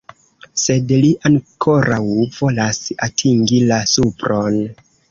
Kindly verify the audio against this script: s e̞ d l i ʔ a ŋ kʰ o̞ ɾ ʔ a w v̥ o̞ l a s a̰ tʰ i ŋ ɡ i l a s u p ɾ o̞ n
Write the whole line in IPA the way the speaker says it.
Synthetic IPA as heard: s e̞ d l i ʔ a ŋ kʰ o̞ ɾ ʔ a w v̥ o̞ l a s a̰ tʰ i ŋ ɡ i l a s u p ɾ o̞ n

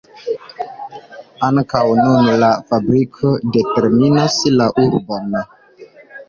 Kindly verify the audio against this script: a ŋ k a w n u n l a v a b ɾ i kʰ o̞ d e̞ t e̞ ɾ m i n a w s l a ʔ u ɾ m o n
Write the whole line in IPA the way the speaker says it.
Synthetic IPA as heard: a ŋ k a w n u n l a f a b ɾ i kʰ o̞ d e̞ t e̞ ɾ m i n a s l a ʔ u ɾ b o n

